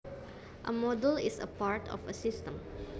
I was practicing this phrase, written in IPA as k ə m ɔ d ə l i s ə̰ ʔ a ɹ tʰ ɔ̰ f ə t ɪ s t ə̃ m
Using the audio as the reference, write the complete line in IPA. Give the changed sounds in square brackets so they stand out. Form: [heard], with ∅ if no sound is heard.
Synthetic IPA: [ʔ] ə m ɔ d ə l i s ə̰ [p] a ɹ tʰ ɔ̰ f ə [s] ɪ s t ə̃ m